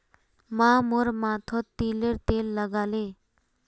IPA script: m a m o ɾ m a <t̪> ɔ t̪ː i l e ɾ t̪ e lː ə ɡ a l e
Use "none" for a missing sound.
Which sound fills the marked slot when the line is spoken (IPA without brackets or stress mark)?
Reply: t̪ʰ